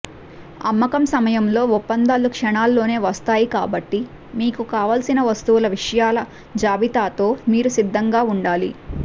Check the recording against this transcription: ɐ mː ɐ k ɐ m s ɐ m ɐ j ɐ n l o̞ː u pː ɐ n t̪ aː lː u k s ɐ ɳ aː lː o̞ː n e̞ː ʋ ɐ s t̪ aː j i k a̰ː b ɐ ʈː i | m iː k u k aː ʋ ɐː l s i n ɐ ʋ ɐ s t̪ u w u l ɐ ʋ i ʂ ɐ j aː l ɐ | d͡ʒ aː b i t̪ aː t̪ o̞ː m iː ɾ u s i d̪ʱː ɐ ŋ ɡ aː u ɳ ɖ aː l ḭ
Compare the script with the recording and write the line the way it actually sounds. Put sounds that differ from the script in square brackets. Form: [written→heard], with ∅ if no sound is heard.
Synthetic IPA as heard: ɐ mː ɐ k ɐ m s ɐ m ɐ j ɐ [n→m] l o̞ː u pː ɐ n [t̪→d̪] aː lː u k [s→ʂ] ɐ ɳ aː lː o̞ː n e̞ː ʋ ɐ s t̪ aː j i k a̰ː b ɐ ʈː i | m iː k u k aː ʋ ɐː l s i n ɐ ʋ ɐ s t̪ u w u l ɐ ʋ i ʂ ɐ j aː l ɐ | d͡ʒ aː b i t̪ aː t̪ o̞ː m iː ɾ u s i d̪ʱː ɐ ŋ ɡ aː u ɳ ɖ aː l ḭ